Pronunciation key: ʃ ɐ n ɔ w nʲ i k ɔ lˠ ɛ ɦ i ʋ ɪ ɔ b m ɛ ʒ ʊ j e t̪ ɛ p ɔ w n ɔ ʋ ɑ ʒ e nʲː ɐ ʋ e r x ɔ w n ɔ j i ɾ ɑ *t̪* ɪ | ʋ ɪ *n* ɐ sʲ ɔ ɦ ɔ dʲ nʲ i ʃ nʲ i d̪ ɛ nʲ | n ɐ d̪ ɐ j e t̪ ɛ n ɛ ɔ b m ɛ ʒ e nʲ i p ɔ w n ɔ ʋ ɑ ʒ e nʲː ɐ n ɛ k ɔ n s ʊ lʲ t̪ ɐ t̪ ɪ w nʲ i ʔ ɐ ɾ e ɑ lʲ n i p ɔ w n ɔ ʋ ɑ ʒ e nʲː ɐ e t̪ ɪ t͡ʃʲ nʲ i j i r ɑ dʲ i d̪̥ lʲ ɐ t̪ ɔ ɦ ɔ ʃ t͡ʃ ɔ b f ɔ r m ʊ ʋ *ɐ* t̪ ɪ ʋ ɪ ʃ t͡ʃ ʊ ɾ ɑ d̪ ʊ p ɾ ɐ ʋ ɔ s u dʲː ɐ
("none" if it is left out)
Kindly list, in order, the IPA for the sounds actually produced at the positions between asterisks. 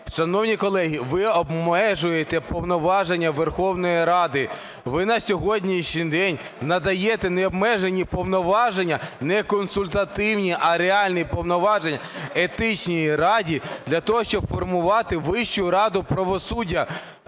d̪, n, ɑ

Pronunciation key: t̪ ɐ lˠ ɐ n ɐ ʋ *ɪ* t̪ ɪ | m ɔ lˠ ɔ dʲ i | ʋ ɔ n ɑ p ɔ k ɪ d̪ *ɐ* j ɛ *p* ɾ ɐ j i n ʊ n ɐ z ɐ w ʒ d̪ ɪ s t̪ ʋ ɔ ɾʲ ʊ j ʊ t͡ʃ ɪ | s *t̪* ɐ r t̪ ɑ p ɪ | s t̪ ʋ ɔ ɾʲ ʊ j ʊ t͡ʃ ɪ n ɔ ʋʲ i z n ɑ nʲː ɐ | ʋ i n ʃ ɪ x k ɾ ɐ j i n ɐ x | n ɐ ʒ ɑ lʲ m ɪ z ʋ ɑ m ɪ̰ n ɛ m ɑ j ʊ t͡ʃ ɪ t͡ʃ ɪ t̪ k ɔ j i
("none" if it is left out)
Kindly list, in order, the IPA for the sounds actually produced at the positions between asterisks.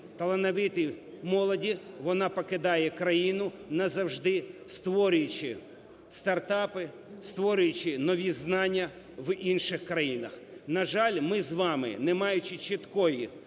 ɪ, ɑ, k, t̪

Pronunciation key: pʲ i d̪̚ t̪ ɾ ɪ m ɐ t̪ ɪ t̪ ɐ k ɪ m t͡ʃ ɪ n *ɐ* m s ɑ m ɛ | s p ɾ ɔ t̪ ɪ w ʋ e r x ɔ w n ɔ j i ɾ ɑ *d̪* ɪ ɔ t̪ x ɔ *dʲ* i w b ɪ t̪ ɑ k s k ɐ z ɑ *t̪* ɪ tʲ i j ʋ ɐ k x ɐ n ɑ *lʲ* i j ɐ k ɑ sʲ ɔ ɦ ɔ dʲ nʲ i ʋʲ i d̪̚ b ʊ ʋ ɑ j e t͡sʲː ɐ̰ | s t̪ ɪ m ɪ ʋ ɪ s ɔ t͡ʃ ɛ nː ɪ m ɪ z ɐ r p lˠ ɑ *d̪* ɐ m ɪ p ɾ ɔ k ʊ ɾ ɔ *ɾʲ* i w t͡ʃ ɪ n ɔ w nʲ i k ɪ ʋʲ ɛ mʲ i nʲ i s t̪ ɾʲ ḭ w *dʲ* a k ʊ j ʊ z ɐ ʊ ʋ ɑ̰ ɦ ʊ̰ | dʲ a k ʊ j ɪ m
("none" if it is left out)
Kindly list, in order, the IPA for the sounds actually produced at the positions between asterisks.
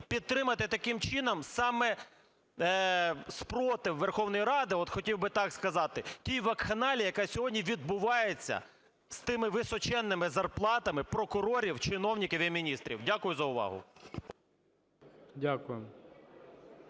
ɐ, d̪, tʲ, t̪, lʲ, t̪, ɾʲ, dʲ

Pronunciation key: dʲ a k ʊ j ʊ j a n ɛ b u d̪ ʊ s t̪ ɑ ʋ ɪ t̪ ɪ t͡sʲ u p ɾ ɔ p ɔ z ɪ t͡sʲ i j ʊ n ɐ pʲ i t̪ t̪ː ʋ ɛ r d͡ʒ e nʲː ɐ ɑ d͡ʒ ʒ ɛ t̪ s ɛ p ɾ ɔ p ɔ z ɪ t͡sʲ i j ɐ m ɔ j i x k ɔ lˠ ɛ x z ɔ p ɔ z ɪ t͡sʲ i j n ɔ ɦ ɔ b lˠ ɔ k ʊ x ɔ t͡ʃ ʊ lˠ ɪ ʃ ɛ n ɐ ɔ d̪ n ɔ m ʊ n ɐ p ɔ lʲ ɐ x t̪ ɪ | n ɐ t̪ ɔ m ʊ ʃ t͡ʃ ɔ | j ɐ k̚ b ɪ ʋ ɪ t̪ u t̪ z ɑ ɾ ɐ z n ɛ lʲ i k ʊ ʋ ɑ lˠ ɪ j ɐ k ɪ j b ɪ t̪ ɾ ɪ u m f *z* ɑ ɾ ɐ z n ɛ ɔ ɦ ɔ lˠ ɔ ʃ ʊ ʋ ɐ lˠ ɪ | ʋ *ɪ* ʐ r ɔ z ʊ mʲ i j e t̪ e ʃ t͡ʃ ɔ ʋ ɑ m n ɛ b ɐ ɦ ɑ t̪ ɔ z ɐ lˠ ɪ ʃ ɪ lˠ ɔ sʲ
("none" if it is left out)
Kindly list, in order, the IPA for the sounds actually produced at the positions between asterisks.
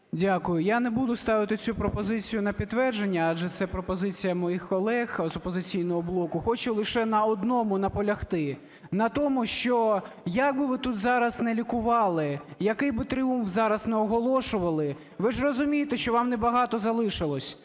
z, ɪ

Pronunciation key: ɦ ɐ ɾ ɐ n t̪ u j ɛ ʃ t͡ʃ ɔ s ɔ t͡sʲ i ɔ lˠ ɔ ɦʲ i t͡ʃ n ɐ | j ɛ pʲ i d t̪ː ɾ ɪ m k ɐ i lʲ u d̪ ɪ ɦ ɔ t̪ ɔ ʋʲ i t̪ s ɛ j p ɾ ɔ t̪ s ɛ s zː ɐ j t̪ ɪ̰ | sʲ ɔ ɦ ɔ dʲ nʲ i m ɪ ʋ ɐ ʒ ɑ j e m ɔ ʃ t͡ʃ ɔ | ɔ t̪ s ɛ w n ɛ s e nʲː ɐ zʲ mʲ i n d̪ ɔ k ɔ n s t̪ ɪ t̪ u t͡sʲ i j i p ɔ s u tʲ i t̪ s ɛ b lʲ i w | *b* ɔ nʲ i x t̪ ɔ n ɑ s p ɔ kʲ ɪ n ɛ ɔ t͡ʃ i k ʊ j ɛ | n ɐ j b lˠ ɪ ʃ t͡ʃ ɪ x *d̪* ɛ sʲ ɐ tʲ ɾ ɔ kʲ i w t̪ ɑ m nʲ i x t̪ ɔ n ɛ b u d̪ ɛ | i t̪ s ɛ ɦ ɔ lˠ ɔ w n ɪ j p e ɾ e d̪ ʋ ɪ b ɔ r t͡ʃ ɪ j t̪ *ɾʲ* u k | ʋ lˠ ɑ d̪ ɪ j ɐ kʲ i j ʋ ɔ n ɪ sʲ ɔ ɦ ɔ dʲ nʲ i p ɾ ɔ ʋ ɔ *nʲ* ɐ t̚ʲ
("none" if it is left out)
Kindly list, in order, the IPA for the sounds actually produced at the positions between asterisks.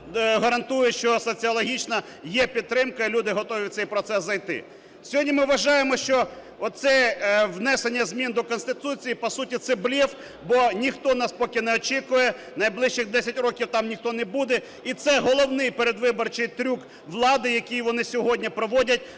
b, d̪, ɾʲ, dʲ

